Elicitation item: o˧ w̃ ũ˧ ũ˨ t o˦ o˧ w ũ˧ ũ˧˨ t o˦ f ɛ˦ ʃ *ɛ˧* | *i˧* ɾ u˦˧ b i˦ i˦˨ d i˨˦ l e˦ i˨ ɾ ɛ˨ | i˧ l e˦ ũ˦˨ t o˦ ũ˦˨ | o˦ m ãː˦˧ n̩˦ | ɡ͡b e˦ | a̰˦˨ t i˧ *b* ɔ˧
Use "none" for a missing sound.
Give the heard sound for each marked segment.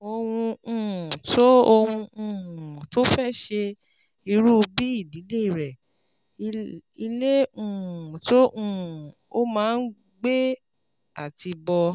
e˧, i˧, b

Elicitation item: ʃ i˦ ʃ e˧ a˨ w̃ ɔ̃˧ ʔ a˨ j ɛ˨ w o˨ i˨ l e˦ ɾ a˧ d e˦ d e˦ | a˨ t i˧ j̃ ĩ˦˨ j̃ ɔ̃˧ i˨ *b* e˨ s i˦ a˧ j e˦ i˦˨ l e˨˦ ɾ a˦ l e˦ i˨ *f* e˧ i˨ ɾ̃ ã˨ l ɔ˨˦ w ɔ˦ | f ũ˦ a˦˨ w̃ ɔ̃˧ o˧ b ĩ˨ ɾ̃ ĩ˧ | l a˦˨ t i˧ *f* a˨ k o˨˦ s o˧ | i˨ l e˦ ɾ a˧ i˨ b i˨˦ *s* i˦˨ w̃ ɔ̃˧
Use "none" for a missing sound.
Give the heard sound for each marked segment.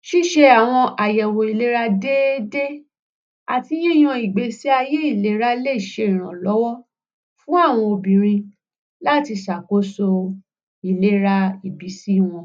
ɡ͡b, ʃ, ʃ, s

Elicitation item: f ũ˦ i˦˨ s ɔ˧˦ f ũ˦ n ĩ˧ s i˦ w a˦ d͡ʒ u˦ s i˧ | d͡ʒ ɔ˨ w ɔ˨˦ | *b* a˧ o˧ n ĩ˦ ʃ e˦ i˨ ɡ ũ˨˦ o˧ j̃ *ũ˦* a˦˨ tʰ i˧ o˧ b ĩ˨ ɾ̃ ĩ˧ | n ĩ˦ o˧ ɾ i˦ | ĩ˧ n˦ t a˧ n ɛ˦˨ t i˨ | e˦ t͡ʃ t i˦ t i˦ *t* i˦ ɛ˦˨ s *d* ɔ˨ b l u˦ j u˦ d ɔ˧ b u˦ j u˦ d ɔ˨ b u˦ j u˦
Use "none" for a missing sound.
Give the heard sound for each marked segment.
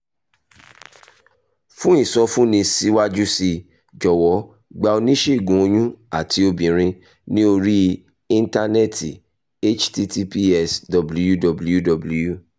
ɡ͡b, ũ˦, p, d

